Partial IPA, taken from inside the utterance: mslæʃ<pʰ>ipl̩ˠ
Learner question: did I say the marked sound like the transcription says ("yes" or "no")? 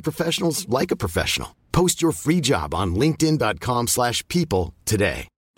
yes